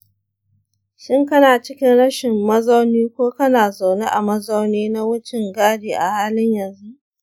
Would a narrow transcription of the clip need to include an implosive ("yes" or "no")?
no